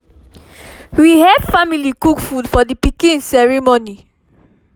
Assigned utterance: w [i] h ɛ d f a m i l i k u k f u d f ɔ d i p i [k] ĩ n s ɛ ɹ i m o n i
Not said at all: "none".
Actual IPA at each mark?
i, k

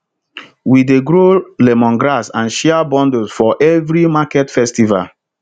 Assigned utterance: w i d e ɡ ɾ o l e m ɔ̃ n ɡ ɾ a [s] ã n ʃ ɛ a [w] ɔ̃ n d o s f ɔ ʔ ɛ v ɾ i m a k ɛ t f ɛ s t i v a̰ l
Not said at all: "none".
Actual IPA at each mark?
s, b

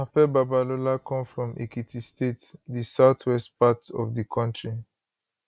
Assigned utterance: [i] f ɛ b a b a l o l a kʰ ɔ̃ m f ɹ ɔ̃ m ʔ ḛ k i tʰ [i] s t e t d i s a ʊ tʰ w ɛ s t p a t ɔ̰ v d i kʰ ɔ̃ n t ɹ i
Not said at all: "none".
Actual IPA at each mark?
a, i

